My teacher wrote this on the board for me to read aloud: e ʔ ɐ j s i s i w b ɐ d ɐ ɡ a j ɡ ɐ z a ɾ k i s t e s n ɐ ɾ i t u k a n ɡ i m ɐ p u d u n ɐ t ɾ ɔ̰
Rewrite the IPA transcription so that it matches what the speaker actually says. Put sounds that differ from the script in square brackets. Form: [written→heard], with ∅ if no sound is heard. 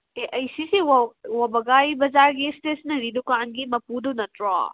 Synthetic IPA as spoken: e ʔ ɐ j s i s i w [b→w] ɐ [d→b] ɐ ɡ a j [ɡ→b] ɐ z a ɾ [k→ɡ] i s t e s n ɐ ɾ i [t→d] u k a n ɡ i m ɐ p u d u n ɐ t ɾ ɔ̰

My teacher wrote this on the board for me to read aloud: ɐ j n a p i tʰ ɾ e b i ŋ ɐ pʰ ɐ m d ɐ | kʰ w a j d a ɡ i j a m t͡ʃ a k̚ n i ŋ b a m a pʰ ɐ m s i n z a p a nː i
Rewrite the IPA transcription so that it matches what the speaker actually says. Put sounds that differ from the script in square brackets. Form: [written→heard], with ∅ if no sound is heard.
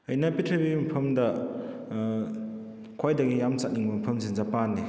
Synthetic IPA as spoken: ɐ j n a p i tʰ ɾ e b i [ŋ→m] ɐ pʰ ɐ m d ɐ | kʰ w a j d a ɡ i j a m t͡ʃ a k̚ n i ŋ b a m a pʰ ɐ m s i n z a p a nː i

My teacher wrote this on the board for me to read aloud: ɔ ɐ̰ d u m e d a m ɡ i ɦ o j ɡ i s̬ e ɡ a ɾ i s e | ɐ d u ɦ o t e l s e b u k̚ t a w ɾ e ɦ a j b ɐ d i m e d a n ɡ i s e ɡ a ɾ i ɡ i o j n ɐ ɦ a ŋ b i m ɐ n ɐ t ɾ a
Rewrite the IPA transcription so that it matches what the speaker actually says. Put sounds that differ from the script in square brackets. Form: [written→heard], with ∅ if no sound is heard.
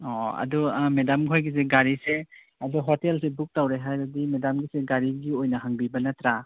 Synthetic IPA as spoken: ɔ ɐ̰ d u m e d a m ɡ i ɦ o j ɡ i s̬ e ɡ a ɾ i s e | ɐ d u ɦ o t e l s e b u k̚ t a w ɾ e ɦ a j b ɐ d i m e d a [n→m] ɡ i s e ɡ a ɾ i ɡ i o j n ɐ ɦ a ŋ b i [m→b] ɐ n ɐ t ɾ a

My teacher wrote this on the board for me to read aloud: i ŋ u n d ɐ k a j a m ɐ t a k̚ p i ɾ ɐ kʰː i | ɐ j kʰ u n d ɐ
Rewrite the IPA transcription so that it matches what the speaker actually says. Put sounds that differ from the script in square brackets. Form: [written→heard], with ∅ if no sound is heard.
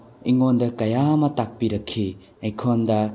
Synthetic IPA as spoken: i ŋ [u→o] n d ɐ k [a→ɐ] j a m ɐ t a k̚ p i ɾ ɐ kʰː i | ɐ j kʰ [u→o] n d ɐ

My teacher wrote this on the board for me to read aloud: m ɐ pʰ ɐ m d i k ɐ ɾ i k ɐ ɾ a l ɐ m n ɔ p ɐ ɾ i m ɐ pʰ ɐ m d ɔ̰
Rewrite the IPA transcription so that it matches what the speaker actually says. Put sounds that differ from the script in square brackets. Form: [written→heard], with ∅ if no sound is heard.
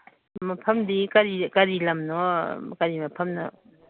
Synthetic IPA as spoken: m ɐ pʰ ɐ m d i k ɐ ɾ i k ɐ ɾ [a→i] l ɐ m n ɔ [p→k] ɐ ɾ i m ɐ pʰ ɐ m [d→n] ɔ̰

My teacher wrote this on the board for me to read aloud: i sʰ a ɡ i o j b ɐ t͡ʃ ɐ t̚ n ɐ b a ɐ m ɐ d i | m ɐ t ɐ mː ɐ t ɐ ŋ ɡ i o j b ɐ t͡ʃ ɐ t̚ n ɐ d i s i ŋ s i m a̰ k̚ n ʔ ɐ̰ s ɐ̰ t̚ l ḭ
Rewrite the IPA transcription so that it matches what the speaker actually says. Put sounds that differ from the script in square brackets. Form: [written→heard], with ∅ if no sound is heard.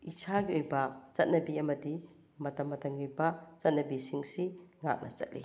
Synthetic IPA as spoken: i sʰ a ɡ i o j b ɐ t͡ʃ ɐ t̚ n ɐ b [a→i] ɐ m ɐ d i | m ɐ t ɐ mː ɐ t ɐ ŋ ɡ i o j b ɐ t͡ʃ ɐ t̚ n ɐ [d→b] i s i ŋ s i [m→ŋ] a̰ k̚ n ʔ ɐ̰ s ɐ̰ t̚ l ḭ

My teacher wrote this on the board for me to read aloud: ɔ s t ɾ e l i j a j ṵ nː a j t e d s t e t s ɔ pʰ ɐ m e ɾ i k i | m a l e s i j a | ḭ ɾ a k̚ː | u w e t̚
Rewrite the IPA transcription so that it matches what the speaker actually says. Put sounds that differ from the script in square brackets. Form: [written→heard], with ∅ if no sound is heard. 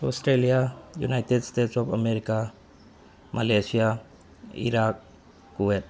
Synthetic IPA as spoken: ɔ s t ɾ e l i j a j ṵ [nː→n] a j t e d s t e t s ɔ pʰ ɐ m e ɾ i k [i→a] | m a l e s i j a | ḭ ɾ a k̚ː | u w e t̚

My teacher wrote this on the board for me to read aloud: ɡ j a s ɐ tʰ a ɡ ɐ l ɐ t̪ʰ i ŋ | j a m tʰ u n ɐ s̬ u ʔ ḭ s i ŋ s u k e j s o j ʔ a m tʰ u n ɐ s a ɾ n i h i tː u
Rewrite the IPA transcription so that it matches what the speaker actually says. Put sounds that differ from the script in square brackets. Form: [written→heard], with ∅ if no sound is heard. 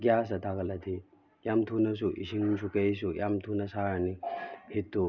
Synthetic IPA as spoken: ɡ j a s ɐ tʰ a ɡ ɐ l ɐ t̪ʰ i [ŋ→∅] | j a m tʰ u n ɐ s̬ u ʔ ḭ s i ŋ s u k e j s [o→u] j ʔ a m tʰ u n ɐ s a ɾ n i h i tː u

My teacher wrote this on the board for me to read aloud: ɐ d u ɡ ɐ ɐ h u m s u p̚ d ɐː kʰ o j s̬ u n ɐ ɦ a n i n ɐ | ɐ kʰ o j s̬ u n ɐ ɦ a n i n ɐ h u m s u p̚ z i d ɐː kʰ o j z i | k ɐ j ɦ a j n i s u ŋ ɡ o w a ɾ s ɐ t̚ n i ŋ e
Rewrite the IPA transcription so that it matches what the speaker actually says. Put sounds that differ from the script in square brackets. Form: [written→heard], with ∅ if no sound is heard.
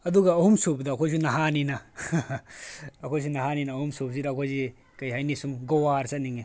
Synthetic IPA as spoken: ɐ d u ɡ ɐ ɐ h u m s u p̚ d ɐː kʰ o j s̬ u n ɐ ɦ a n i n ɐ | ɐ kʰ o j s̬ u n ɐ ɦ a n i n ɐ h u m s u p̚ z i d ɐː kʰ o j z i | k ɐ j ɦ a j n i s u [ŋ→m] ɡ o w a ɾ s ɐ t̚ n i ŋ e

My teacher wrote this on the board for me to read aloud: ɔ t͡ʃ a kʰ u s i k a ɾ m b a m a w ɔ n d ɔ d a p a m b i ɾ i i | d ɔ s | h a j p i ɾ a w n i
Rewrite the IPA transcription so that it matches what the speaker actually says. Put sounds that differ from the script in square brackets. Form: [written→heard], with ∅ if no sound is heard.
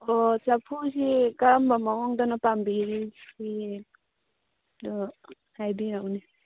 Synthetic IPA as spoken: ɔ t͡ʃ a [kʰ→pʰ] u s i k a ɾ m b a m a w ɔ [n→ŋ] d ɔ [d→n] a p a m b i ɾ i i | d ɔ [s→∅] | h a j [p→b] i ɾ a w n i

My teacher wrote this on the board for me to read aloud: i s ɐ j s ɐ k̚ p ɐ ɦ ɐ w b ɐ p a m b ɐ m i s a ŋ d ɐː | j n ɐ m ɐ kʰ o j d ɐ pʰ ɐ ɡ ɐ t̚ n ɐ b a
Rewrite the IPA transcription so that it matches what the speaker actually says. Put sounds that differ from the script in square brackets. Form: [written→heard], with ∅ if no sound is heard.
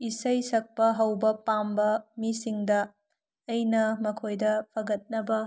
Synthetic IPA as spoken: i s ɐ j s ɐ k̚ p ɐ ɦ ɐ w b ɐ p a m b ɐ m i s [a→i] ŋ d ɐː | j n ɐ m ɐ kʰ o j d ɐ pʰ ɐ ɡ ɐ t̚ n ɐ b [a→ɐ]

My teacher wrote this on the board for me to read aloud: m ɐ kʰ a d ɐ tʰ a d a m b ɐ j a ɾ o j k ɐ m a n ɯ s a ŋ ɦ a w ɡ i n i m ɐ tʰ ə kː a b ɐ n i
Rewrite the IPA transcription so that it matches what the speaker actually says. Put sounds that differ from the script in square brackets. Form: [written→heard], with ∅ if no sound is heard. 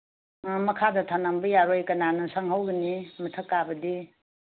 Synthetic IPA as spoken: m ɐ kʰ a d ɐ tʰ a [d→n] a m b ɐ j a ɾ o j k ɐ [m→n] a n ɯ s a ŋ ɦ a w ɡ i n i m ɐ tʰ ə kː a b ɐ [n→d] i

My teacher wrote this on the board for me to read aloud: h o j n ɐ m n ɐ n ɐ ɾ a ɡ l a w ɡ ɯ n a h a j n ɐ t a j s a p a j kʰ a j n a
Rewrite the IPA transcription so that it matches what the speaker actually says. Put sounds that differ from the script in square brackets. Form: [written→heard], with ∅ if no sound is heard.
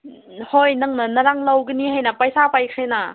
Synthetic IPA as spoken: h o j n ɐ [m→ŋ] n ɐ n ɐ ɾ a [ɡ→ŋ] l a w ɡ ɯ n [a→i] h a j n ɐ [t→p] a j s a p a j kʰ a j n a

